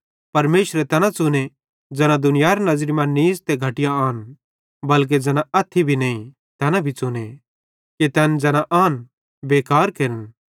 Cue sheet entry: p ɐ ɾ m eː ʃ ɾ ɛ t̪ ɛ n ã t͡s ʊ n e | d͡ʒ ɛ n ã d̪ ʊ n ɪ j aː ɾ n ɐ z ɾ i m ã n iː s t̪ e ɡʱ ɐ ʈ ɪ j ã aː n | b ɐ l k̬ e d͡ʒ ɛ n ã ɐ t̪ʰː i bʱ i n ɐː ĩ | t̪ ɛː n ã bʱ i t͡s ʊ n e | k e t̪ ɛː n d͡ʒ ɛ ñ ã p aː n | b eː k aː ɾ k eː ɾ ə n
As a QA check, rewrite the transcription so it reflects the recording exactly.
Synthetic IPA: p ɐ ɾ m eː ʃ ɾ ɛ t̪ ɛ n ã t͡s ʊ n e | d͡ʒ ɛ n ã d̪ ʊ n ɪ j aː ɾ n ɐ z ɾ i m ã n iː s t̪ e ɡʱ ɐ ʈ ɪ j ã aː n | b ɐ l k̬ e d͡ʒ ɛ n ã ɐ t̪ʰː i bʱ i n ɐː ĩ | t̪ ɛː n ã bʱ i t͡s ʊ n e | k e t̪ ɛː n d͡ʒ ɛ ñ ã ʔ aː n | b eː k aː ɾ k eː ɾ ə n